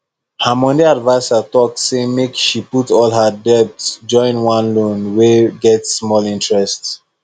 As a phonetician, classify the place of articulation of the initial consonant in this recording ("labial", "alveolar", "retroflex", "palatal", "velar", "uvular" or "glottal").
glottal